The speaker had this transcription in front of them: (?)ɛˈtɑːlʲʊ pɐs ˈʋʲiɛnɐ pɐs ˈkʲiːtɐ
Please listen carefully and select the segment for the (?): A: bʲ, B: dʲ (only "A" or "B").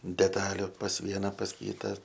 B